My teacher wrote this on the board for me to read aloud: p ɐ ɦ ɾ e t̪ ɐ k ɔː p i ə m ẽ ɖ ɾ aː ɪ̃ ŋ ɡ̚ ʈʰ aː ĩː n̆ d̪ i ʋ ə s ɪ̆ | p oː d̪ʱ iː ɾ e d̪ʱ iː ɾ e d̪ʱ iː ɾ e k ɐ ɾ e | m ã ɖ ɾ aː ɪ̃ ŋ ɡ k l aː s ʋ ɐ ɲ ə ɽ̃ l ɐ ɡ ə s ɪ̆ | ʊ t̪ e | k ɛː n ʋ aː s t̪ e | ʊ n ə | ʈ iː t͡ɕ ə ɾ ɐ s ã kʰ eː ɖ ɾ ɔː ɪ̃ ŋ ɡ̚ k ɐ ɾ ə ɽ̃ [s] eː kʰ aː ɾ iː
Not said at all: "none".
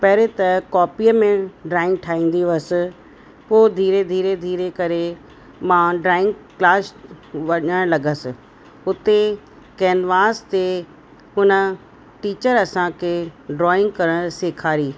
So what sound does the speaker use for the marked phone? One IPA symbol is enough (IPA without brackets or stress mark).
s